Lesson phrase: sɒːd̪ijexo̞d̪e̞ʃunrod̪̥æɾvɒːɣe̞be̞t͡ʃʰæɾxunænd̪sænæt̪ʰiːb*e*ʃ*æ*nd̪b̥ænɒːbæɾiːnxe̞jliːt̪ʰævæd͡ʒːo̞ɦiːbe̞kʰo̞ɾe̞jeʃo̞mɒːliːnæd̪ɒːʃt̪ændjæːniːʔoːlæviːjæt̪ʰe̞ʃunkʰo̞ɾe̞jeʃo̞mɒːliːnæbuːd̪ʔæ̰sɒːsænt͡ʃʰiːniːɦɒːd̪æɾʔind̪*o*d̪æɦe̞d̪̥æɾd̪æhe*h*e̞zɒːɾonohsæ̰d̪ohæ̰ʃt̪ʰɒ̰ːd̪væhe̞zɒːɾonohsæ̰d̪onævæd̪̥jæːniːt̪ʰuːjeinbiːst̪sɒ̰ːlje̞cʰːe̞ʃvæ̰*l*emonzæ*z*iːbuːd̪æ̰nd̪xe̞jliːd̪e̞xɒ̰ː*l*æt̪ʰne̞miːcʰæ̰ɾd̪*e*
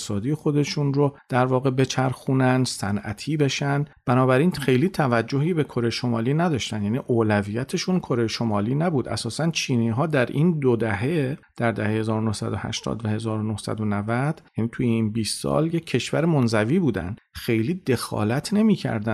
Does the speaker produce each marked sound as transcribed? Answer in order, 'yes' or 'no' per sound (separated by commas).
yes, yes, yes, yes, no, no, yes, no